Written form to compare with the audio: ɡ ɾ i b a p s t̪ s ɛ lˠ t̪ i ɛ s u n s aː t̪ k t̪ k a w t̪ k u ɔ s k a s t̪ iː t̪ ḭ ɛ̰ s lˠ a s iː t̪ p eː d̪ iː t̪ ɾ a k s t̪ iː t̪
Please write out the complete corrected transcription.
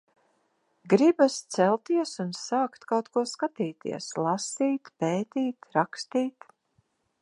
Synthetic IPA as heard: ɡ ɾ i b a s t̪ s ɛ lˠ t̪ i ɛ s u n s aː k t̪ k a w t̪ k u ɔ s k a t̪ iː t̪ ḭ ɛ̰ s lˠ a s iː t̪ p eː t̪ iː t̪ ɾ a k s t̪ iː t̪